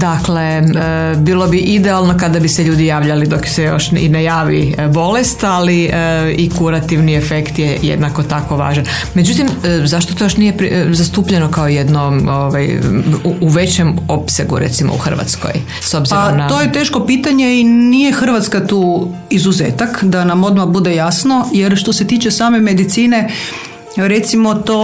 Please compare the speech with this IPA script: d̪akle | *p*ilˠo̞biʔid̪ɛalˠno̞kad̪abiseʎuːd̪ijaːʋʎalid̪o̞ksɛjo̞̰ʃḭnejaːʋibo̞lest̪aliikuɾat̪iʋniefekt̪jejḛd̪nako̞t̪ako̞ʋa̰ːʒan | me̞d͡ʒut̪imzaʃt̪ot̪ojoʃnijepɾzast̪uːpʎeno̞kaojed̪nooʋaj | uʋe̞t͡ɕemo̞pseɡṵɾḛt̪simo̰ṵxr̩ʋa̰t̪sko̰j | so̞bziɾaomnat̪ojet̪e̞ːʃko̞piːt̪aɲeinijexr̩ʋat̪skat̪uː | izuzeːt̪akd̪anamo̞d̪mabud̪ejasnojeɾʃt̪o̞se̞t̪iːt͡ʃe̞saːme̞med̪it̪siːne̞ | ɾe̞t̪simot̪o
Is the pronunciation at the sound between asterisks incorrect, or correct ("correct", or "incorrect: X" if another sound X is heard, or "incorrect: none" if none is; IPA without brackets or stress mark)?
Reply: incorrect: b